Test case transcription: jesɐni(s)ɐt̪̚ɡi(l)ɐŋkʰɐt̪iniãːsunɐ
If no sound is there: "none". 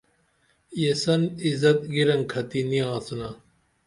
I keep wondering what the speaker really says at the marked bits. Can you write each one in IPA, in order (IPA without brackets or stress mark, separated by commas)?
z, ɾ